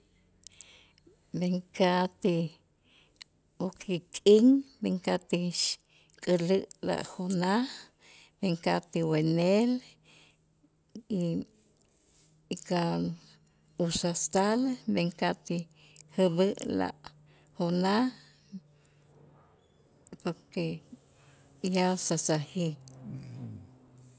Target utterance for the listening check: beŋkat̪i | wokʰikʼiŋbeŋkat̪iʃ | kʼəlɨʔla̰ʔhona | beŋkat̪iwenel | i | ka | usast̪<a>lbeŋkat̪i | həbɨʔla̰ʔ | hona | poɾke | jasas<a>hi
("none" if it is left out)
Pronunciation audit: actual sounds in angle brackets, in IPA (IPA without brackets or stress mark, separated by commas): a, a